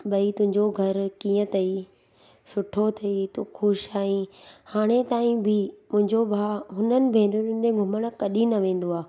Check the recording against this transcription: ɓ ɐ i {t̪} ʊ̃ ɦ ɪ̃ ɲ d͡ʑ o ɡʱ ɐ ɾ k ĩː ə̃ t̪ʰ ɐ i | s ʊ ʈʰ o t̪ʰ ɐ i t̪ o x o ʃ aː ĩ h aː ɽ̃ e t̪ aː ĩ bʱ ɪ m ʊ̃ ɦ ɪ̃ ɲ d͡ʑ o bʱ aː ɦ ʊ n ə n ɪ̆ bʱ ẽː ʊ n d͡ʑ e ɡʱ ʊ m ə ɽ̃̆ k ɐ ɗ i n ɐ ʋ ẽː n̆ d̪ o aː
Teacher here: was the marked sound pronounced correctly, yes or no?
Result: yes